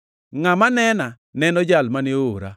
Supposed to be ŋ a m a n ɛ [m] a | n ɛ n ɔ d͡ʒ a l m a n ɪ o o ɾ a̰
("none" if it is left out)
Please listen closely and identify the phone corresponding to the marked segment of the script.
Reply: n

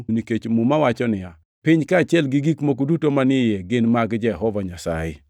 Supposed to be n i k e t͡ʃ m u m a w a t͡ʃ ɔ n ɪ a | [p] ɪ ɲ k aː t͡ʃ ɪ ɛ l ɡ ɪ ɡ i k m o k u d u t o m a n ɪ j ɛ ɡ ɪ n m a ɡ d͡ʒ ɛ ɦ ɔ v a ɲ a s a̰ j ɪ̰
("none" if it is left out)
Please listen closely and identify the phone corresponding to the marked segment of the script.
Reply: p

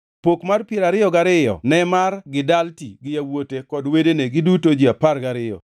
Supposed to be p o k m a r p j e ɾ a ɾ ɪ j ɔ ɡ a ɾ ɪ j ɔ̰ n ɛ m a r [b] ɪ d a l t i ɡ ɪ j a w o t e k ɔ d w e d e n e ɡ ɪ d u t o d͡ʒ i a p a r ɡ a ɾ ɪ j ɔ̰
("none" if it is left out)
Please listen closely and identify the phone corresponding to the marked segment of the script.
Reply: ɡ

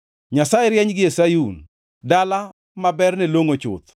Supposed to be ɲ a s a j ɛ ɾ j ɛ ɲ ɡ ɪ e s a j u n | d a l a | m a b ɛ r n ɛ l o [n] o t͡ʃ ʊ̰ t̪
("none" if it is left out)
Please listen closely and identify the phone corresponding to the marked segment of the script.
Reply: ŋ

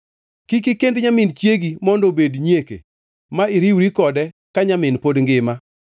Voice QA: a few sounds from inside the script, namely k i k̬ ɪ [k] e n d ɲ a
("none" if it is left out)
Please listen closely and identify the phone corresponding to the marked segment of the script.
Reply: k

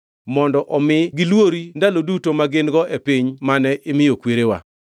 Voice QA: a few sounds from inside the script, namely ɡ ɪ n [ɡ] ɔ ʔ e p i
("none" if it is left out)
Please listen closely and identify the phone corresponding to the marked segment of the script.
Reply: ɡ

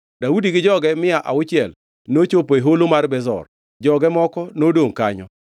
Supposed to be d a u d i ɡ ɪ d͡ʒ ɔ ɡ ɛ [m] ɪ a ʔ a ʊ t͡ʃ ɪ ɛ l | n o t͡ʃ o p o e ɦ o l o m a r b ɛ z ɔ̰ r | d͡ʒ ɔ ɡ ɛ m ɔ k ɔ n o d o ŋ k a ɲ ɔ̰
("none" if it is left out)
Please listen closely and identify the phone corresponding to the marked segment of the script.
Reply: m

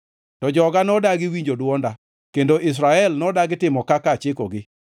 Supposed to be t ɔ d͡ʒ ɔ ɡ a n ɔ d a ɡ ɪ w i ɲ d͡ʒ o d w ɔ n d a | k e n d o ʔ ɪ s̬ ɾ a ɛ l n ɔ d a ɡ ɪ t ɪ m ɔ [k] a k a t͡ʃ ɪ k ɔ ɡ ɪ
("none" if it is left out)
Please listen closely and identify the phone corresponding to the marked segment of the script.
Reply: k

